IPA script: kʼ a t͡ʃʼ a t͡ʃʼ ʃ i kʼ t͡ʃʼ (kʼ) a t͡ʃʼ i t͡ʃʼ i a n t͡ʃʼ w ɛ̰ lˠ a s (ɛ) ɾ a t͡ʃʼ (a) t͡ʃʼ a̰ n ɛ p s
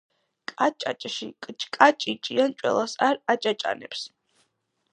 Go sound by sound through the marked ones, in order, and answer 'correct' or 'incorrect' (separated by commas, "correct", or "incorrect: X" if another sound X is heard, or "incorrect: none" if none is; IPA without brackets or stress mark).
correct, incorrect: a, correct